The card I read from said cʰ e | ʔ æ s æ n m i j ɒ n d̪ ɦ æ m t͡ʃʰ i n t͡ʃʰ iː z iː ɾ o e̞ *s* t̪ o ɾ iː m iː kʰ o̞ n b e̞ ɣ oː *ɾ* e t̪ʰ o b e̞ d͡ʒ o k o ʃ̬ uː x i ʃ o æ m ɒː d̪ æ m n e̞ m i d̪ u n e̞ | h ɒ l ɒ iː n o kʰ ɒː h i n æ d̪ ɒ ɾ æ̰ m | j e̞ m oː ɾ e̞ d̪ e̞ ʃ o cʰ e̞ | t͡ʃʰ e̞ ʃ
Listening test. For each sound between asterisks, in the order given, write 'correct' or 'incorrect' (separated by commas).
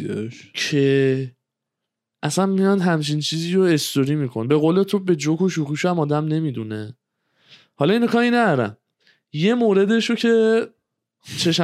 correct, incorrect